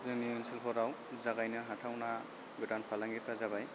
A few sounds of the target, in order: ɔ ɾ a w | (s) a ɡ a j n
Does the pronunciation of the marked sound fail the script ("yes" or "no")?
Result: yes